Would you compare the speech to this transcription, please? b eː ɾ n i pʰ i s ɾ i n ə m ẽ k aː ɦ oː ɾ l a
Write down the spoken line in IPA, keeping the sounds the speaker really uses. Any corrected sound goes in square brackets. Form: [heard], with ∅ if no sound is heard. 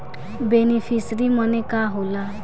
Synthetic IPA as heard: b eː [∅] n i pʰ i s ɾ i [m] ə [n] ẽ k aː ɦ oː [∅] l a